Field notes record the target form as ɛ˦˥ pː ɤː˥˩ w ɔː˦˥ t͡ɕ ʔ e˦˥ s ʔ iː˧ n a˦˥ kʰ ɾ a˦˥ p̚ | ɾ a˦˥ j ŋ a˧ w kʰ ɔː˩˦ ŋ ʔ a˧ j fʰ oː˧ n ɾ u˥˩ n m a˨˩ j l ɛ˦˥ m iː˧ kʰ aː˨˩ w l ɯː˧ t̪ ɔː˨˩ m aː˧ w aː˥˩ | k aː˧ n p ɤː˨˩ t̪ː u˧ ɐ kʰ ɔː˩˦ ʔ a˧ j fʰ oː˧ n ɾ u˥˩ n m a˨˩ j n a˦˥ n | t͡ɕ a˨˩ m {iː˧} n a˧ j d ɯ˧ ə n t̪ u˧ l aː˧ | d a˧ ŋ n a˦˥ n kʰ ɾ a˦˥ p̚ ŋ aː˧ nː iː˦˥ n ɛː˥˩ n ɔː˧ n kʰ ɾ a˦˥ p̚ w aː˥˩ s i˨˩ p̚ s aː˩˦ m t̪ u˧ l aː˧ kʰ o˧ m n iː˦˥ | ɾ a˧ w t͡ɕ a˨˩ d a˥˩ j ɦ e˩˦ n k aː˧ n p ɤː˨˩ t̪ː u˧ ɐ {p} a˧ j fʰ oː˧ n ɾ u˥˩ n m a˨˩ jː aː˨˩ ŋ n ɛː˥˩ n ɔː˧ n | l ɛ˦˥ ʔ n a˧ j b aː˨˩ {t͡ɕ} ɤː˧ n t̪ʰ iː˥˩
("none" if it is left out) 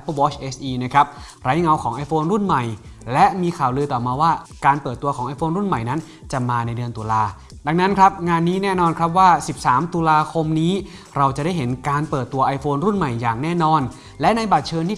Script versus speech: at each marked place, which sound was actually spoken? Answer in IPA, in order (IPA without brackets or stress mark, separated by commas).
aː˧, ʔ, t͡ɕʰ